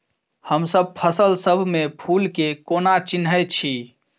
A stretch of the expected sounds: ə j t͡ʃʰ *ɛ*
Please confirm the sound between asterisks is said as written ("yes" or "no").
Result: no